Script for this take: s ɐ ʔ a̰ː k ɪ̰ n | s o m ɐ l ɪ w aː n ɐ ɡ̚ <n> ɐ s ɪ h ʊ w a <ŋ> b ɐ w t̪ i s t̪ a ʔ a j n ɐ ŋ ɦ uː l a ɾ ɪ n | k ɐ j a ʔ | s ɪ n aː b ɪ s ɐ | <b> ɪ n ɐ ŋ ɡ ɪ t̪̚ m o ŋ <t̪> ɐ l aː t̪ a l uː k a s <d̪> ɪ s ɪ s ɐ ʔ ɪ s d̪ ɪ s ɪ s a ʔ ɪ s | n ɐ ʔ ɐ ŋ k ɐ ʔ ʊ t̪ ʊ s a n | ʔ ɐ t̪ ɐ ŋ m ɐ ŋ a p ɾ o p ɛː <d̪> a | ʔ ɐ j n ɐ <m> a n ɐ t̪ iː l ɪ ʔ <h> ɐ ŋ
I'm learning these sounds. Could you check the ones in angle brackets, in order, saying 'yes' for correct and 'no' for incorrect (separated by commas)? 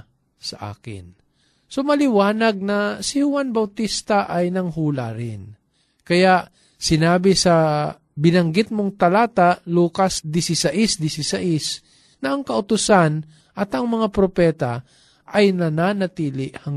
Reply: yes, no, yes, yes, yes, no, no, yes